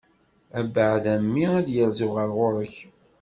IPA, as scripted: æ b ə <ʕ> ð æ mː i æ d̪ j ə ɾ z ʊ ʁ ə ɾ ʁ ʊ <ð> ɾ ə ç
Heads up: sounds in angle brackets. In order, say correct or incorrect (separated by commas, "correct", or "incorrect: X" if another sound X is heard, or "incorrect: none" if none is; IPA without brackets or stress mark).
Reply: correct, incorrect: none